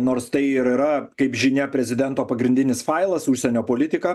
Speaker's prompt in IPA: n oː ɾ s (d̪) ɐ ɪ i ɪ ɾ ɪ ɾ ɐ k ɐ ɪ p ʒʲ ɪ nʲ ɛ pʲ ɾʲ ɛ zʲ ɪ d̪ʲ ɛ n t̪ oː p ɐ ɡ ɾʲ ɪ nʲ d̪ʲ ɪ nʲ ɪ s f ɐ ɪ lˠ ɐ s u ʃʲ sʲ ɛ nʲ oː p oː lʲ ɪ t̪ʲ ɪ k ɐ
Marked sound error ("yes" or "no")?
yes